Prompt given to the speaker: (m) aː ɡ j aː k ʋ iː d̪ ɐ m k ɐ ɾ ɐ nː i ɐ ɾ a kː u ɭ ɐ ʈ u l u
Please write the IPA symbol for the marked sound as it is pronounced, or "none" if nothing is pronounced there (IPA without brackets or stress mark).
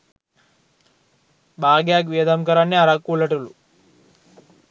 b